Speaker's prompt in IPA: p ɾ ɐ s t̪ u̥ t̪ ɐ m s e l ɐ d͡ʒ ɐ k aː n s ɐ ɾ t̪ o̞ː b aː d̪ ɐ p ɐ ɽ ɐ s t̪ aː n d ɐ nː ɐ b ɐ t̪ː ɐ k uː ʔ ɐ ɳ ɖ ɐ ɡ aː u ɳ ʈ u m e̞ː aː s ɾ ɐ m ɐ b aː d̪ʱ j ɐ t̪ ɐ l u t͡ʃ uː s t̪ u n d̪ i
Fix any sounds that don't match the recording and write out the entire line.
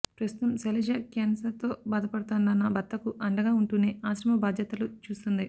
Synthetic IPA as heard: p ɾ ɐ s t̪ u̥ t̪ ɐ m s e l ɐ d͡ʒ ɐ k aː n s ɐ ɾ t̪ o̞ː b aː d̪ ɐ p ɐ ɽ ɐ t̪ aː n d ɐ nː ɐ b ɐ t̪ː ɐ k u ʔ ɐ ɳ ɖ ɐ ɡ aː u ɳ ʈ u n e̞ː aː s ɾ ɐ m ɐ b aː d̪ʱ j ɐ t̪ ɐ l u t͡ʃ uː s t̪ u n d̪ i